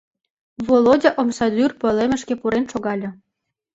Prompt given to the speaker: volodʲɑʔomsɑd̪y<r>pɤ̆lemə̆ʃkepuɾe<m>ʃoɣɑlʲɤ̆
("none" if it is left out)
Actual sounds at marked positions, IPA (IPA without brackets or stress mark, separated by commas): r, n